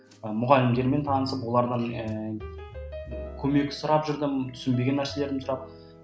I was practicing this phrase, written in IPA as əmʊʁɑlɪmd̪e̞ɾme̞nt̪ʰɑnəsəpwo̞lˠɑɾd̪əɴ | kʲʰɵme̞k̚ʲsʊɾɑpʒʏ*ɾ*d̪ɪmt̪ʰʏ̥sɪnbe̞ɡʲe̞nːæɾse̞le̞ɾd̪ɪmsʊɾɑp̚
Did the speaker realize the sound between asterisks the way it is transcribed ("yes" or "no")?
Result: yes